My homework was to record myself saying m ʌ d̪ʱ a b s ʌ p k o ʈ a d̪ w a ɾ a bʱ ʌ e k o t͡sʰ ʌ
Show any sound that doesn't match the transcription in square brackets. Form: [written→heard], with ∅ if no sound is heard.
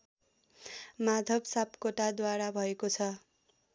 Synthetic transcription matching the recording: m [ʌ→a] d̪ʱ [a→ʌ] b s [ʌ→a] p k o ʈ a d̪ w a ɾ a bʱ ʌ e k o t͡sʰ ʌ